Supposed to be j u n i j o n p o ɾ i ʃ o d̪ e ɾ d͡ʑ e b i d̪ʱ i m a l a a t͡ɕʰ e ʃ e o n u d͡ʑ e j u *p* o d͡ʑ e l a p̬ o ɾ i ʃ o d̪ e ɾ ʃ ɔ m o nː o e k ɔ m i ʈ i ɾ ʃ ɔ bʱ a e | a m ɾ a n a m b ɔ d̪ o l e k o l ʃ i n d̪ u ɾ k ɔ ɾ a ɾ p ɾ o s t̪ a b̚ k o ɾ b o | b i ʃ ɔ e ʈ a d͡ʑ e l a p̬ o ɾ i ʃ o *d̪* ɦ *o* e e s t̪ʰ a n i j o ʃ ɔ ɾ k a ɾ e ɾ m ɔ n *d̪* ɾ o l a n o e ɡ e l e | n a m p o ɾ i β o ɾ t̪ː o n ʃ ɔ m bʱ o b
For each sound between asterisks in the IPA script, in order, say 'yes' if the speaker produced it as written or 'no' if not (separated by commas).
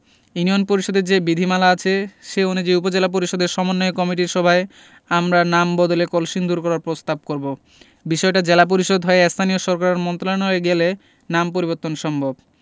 yes, yes, no, no